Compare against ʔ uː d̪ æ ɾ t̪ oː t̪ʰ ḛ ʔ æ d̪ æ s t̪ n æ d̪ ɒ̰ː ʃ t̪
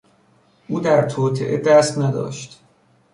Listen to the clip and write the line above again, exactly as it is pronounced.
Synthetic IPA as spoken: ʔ uː d̪ æ ɾ t̪ʰ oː t̪ʰ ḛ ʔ e d̪ æ s t̪ n æ d̪ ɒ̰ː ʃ t̪